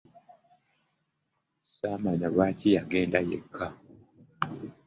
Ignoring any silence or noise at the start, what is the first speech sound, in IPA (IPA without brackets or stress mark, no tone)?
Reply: s